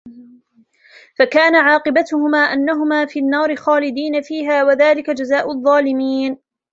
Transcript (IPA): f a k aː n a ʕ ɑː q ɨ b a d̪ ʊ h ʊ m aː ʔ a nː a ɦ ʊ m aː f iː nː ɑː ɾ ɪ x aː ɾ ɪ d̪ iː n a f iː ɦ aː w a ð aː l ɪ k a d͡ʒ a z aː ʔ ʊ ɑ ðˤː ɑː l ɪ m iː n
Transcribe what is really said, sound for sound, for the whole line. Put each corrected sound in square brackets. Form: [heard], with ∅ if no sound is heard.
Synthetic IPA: f a k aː n a ʕ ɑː q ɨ b a [t̪] ʊ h ʊ m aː ʔ a nː a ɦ ʊ m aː f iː nː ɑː ɾ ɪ x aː [l] ɪ d̪ iː n a f iː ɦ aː w a ð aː l ɪ k a d͡ʒ a z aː ʔ ʊ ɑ ðˤː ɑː l ɪ m iː n